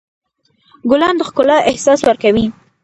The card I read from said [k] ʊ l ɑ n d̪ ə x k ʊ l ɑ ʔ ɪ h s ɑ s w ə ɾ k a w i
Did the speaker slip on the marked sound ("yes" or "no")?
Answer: yes